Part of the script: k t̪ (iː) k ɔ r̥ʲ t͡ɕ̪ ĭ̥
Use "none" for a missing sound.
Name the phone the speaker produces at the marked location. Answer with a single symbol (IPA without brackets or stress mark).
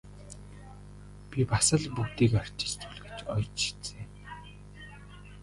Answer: iː